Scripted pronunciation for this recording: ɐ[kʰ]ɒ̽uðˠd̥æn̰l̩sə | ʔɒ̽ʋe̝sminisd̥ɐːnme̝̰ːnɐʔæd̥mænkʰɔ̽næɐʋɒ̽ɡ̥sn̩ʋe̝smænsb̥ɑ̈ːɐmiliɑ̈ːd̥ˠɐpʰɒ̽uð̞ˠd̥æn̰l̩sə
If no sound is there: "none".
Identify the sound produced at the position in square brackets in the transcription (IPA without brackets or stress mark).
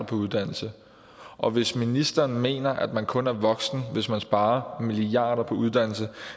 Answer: pʰ